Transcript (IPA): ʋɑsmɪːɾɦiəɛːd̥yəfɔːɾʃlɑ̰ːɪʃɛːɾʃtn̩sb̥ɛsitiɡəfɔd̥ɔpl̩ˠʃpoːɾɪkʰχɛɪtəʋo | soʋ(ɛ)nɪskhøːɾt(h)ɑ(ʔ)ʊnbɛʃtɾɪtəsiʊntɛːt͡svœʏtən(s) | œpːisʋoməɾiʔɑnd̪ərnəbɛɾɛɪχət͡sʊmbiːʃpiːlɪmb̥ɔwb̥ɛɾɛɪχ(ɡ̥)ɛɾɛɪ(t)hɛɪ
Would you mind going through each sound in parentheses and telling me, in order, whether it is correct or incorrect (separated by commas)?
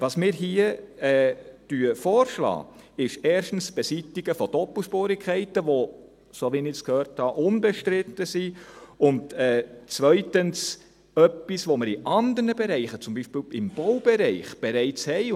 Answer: incorrect, correct, correct, correct, incorrect, incorrect